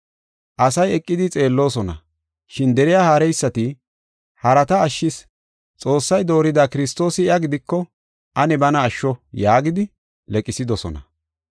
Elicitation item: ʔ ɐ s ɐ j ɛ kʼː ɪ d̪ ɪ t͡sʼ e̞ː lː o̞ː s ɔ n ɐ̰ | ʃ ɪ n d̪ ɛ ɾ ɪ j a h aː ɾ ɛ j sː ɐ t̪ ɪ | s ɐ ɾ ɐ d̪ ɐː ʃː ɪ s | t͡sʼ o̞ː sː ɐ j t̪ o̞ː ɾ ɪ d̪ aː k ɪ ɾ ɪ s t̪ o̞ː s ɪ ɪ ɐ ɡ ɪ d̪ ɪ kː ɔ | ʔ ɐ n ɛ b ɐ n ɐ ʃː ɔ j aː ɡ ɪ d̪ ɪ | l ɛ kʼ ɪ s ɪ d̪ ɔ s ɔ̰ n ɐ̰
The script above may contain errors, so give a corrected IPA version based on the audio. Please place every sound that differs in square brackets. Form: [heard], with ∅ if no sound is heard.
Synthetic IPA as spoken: ʔ ɐ s ɐ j ɛ kʼː ɪ d̪ ɪ t͡sʼ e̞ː lː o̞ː s ɔ n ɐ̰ | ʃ ɪ n d̪ ɛ ɾ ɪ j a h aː ɾ ɛ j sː ɐ t̪ ɪ | [h] ɐ ɾ ɐ [t̪] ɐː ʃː ɪ s | t͡sʼ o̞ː sː ɐ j [d̪] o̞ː ɾ ɪ d̪ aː k ɪ ɾ ɪ s t̪ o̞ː s ɪ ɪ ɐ ɡ ɪ d̪ ɪ kː ɔ | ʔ ɐ n ɛ b ɐ n [ɐː] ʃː ɔ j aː ɡ ɪ d̪ ɪ | l ɛ kʼ ɪ s ɪ d̪ ɔ s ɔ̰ n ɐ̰

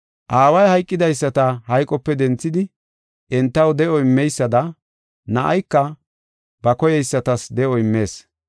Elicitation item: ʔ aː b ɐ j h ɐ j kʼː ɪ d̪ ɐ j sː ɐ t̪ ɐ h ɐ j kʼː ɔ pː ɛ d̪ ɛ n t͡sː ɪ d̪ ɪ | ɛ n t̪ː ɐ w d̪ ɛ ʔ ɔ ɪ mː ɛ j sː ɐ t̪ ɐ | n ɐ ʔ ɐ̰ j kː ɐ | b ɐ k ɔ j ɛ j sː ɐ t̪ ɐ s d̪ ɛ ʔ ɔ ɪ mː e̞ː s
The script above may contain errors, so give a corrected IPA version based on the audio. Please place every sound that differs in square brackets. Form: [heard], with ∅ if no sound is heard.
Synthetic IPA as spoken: ʔ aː [w] ɐ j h ɐ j kʼː ɪ d̪ ɐ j sː ɐ t̪ ɐ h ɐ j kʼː ɔ pː ɛ d̪ ɛ n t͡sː ɪ d̪ ɪ | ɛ n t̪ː ɐ w d̪ ɛ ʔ ɔ ɪ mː ɛ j sː ɐ [d̪] ɐ | n ɐ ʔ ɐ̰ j kː ɐ | b ɐ k ɔ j ɛ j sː ɐ t̪ ɐ s d̪ ɛ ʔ ɔ ɪ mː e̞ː s

